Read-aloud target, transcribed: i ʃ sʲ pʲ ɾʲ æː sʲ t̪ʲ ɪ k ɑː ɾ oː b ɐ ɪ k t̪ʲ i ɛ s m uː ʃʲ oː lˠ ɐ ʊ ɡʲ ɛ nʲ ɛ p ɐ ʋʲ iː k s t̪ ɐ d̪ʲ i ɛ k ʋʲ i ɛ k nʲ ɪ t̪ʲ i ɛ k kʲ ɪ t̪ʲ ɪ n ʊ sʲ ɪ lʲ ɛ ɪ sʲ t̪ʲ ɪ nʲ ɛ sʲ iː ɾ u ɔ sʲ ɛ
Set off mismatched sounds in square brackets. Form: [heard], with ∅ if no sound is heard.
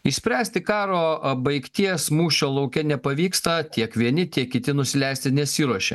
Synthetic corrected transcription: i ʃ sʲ pʲ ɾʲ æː sʲ t̪ʲ ɪ k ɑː ɾ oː b ɐ ɪ k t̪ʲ i ɛ s m uː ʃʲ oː lˠ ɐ ʊ [kʲ] ɛ nʲ ɛ p ɐ ʋʲ iː k s t̪ ɐ [t̪ʲ] i ɛ k ʋʲ i ɛ [∅] nʲ ɪ t̪ʲ i ɛ k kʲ ɪ t̪ʲ ɪ n ʊ sʲ ɪ lʲ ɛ ɪ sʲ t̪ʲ ɪ nʲ ɛ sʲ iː ɾ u ɔ [ʃʲ] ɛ